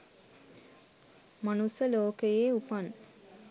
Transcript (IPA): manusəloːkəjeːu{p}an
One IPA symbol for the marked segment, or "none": p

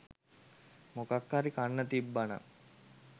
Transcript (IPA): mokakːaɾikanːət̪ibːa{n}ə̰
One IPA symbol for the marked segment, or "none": n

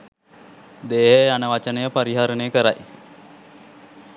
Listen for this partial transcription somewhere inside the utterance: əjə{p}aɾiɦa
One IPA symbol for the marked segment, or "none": p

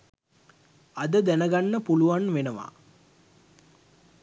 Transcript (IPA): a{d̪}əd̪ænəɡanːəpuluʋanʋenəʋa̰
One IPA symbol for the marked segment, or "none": d̪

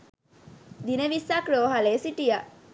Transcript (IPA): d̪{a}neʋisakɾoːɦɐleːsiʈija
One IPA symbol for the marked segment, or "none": i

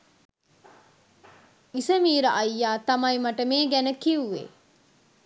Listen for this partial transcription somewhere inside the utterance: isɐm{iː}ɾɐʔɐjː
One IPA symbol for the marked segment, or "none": iː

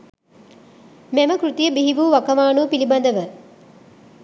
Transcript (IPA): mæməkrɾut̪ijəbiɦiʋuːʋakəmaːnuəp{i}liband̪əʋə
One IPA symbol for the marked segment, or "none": i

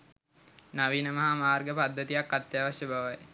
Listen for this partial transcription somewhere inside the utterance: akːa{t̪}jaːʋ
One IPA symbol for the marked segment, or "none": t̪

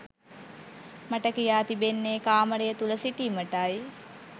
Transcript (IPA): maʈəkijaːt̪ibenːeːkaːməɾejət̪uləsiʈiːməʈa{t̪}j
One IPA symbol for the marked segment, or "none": none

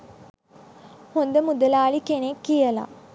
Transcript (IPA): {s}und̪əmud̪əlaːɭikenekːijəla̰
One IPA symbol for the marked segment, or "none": h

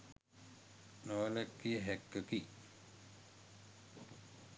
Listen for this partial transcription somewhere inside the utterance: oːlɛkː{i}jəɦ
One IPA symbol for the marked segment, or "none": i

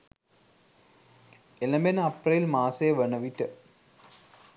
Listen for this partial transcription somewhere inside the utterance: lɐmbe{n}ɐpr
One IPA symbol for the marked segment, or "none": n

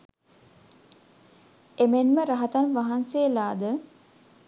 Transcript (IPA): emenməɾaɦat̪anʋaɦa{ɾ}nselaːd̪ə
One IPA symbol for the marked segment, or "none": none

